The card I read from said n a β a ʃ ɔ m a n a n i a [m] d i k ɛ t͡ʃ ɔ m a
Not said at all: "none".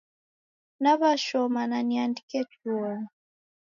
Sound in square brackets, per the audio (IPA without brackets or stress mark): n